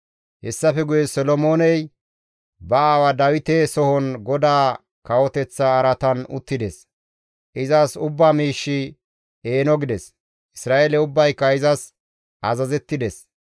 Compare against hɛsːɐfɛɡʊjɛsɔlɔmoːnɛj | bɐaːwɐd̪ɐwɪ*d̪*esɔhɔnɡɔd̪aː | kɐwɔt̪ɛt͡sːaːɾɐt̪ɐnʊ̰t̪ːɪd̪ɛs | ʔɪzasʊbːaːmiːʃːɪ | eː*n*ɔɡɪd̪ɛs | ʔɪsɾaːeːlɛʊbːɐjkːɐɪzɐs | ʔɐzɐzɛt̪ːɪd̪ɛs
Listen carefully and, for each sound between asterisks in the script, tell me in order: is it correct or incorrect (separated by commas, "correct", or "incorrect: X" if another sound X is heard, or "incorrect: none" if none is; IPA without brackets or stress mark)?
incorrect: t̪, correct